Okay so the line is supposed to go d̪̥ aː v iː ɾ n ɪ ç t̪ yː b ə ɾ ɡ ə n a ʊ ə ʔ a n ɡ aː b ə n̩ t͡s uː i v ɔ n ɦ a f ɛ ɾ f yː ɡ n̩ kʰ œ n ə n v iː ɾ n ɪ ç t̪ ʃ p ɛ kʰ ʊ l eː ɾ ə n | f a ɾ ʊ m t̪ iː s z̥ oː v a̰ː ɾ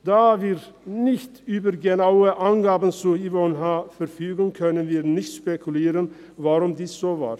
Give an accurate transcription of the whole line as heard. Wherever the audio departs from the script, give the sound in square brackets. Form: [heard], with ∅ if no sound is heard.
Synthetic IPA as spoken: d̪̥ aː v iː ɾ n ɪ ç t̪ yː b ə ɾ ɡ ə n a ʊ ə ʔ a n ɡ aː b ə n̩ t͡s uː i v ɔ n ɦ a f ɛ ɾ f yː ɡ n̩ kʰ œ n ə n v iː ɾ n ɪ ç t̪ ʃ p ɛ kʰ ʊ l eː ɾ ə n | [v] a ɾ ʊ m [d̪] iː s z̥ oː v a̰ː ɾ